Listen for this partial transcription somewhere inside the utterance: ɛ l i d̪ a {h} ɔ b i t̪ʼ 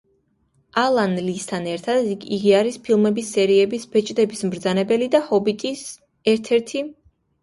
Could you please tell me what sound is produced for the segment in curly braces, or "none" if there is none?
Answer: h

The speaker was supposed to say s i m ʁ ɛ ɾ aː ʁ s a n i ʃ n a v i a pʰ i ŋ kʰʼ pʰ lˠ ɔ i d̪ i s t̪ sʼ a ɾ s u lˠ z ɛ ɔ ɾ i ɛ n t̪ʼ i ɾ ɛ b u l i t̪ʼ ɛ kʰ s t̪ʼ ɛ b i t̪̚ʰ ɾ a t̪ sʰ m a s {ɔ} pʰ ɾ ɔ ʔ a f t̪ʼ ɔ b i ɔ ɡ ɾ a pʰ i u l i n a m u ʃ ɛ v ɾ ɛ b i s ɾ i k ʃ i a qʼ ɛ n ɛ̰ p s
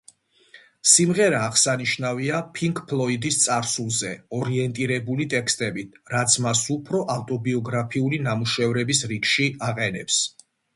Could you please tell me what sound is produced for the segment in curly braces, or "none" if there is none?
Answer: u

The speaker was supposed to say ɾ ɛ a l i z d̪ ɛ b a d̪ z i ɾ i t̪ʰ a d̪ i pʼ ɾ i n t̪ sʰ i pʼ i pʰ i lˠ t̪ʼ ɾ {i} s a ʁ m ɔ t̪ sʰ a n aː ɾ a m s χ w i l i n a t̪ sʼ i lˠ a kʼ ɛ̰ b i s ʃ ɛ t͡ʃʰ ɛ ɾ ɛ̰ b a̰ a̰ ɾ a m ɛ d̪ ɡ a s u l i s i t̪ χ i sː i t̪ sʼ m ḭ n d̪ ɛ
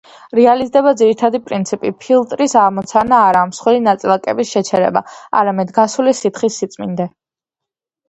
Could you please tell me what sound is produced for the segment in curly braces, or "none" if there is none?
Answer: i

